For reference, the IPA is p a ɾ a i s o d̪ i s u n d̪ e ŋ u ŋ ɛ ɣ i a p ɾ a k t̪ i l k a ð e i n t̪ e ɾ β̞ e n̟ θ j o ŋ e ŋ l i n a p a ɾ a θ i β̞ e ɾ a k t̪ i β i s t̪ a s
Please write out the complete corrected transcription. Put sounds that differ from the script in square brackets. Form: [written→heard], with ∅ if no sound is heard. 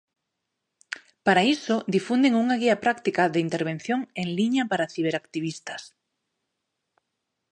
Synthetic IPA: p a ɾ a i s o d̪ i [s→f] u n d̪ e ŋ u ŋ [ɛ→a] ɣ i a p ɾ a k t̪ i [l→∅] k a ð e i n t̪ e ɾ β̞ e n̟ θ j o ŋ e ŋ l i [n→ɲ] a p a ɾ a θ i β̞ e ɾ a k t̪ i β i s t̪ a s